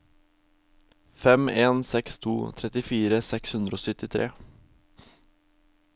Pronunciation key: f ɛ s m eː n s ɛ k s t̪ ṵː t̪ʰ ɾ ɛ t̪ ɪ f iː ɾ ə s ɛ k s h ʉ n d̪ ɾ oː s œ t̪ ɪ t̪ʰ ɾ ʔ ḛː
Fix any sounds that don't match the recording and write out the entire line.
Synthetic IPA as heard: f ɛ m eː n s ɛ k s t̪ʰ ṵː t̪ʰ ɾ ɛ t̪ ɪ f iː ɾ ə s ɛ k s h ʉ n d̪ ɾ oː s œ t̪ ɪ t̪ʰ ɾ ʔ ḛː